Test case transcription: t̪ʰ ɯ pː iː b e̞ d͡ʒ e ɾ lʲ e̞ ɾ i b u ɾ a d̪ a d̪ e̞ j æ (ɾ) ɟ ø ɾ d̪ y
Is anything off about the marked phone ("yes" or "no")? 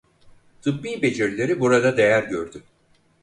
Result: no